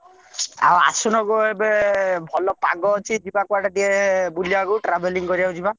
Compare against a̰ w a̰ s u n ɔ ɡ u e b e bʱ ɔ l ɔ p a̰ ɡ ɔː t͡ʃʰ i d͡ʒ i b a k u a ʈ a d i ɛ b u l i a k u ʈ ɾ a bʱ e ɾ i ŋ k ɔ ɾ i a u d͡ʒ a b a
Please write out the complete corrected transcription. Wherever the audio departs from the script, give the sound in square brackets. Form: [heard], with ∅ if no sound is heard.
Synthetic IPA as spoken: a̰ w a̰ s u n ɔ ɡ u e b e bʱ ɔ l ɔ p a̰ ɡ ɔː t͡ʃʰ i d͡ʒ i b a k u a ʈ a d i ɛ b u l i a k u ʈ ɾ a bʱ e [l] i ŋ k ɔ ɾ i a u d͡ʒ [i] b a